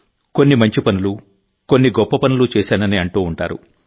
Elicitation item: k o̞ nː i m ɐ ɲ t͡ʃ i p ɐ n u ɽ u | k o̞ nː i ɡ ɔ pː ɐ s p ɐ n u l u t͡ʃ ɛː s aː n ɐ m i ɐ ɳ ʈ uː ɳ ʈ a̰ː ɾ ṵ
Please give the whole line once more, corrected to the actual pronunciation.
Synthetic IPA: k o̞ nː i m ɐ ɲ t͡ʃ i p ɐ n u l u | k o̞ nː i ɡ ɔ pː ɐ p ɐ n u l u t͡ʃ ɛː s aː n ɐ n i ɐ ɳ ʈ uː ɳ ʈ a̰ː ɾ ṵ

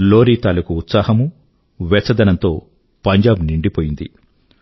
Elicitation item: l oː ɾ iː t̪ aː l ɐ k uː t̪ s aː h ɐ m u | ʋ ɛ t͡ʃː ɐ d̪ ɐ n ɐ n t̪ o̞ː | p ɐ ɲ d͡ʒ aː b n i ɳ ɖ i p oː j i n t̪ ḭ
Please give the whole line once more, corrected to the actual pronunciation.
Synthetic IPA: l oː ɾ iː t̪ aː l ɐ k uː t̪ s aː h ɐ m u | ʋ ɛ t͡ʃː ɐ d̪ ɐ n ɐ n t̪ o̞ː | p ɐ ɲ d͡ʒ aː b n i ɳ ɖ i p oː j i n d̪ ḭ

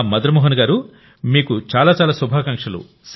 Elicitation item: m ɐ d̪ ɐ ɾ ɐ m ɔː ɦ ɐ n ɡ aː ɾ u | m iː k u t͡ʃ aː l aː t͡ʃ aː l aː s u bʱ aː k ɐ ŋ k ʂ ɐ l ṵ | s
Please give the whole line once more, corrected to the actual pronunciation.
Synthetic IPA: m ɐ d̪ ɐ ɾ ɐ m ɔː ɦ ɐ n ɡ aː ɾ u | m iː k u t͡ʃ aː l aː t͡ʃ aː l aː s u bʱ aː k ɐ ŋ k ʂ ɐ l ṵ | s

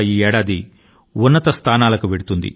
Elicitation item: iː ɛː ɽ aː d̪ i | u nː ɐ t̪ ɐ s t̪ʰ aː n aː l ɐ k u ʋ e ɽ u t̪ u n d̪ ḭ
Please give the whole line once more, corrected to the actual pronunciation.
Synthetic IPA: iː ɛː ɽ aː d̪ i | u nː ɐ t̪ ɐ s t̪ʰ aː n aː l ɐ k u ʋ e ɽ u t̪ u n d̪ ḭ

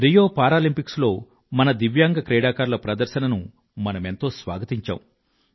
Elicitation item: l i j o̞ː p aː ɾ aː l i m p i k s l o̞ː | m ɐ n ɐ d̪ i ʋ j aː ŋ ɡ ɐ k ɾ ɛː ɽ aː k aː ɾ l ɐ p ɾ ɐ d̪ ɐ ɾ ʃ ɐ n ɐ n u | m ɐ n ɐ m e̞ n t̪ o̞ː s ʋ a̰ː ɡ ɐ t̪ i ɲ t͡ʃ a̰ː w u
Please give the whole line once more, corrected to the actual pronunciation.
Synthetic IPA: ɾ i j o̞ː p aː ɾ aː l i m p i k s l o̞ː | m ɐ n ɐ d̪ i ʋ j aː ŋ ɡ ɐ k ɾ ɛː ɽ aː k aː ɾ l ɐ p ɾ ɐ d̪ ɐ ɾ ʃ ɐ n ɐ n u | m ɐ n ɐ m e̞ n t̪ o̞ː s ʋ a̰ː ɡ ɐ t̪ i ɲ t͡ʃ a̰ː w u

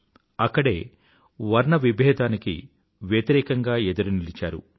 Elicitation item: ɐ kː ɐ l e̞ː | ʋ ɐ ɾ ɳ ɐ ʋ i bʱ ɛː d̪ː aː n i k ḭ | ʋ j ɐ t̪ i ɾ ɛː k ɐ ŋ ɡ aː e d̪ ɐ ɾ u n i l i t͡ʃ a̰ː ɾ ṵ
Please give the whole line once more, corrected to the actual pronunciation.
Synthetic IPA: ɐ kː ɐ ɽ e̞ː | ʋ ɐ ɾ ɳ ɐ ʋ i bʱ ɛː d̪ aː n i k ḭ | ʋ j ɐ t̪ i ɾ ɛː k ɐ ŋ ɡ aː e d̪ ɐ ɾ u n i l i t͡ʃ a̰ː ɾ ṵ

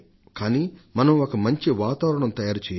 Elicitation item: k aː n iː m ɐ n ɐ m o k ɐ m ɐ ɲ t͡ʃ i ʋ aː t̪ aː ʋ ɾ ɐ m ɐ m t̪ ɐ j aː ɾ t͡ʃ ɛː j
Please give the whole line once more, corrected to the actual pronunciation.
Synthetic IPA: k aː n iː m ɐ n ɐ m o k ɐ m ɐ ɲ t͡ʃ i ʋ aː t̪ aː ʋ ɾ ɐ ɳ ɐ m t̪ ɐ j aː ɾ t͡ʃ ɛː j

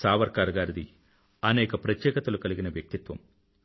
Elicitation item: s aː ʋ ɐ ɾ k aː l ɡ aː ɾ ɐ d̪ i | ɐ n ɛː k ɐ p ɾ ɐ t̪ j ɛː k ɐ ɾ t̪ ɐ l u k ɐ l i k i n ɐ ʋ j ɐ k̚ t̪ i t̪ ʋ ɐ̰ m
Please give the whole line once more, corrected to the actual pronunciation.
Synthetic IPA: s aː ʋ ɐ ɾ k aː ɾ ɡ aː ɾ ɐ d̪ i | ɐ n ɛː k ɐ p ɾ ɐ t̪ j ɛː k ɐ t̪ ɐ l u k ɐ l i ɡ i n ɐ ʋ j ɐ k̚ t̪ i t̪ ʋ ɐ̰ m

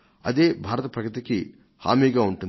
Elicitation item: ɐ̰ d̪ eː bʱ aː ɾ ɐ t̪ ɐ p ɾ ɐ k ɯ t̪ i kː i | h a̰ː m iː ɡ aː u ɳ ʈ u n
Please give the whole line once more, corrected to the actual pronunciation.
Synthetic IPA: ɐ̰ d̪ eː bʱ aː ɾ ɐ t̪ ɐ p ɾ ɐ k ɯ t̪ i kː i | h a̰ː m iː ɡ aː u ɳ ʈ u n

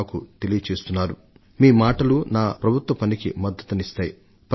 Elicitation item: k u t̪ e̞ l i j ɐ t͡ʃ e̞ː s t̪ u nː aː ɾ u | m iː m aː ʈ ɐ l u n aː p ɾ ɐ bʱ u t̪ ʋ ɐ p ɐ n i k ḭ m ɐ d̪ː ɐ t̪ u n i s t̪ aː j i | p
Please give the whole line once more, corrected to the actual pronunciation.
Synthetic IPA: k u t̪ e̞ l i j ɐ t͡ʃ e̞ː s t̪ u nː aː ɾ u | m iː m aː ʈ ɐ l u n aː p ɾ ɐ bʱ u t̪ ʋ ɐ p ɐ n i k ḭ m ɐ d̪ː ɐ t̪ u n i s t̪ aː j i | p

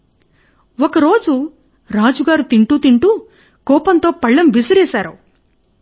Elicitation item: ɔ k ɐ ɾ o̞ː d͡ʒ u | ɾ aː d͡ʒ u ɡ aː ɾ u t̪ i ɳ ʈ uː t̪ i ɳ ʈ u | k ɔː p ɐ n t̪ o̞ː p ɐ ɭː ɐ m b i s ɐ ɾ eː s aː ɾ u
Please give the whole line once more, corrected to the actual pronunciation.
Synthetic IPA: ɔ k ɐ ɾ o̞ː d͡ʒ u | ɾ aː d͡ʒ u ɡ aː ɾ u t̪ i ɳ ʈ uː t̪ i ɳ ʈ u | k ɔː p ɐ n t̪ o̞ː p ɐ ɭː ɐ m b i s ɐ ɾ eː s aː ɾ u

